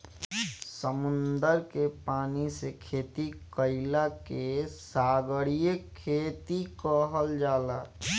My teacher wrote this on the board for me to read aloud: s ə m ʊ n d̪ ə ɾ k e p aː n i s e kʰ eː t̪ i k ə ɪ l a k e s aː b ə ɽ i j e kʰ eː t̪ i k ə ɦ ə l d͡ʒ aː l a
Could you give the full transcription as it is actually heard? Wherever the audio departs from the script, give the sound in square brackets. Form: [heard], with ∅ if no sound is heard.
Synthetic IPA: s ə m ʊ n d̪ ə ɾ k e p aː n i s e kʰ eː t̪ i k ə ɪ l a k e s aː [ɡ] ə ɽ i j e kʰ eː t̪ i k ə ɦ ə l d͡ʒ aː l a